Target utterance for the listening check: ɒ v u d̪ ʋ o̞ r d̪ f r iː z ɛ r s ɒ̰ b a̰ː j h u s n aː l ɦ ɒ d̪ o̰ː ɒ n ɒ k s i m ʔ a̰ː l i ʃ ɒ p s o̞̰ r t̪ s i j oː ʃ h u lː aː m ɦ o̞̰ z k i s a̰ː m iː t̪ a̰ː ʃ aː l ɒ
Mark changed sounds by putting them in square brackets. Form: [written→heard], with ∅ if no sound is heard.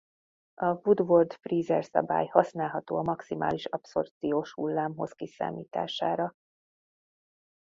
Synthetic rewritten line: ɒ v u d̪ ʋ o̞ r d̪ f r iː z ɛ r s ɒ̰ b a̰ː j h [u→ɒ] s n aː l ɦ ɒ [d̪→t̪] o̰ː ɒ [n→m] ɒ k s i m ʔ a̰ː l i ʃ ɒ p s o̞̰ r t̪ s i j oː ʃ h u lː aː m ɦ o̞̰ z k i s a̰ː m iː t̪ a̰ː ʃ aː [l→ɾ] ɒ